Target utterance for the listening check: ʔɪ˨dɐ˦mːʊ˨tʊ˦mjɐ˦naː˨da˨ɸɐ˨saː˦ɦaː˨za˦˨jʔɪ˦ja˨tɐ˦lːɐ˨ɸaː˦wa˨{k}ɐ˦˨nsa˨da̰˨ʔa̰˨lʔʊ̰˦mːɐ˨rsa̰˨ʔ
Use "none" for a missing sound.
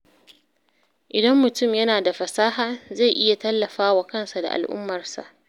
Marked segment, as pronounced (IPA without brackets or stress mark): k